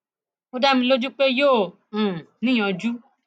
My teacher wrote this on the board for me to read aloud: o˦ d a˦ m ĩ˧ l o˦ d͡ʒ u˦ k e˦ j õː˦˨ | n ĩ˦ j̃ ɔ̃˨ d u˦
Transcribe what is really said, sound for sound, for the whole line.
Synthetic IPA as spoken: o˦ d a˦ m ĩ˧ l o˦ d͡ʒ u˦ k͡p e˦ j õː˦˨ | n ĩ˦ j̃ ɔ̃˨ d͡ʒ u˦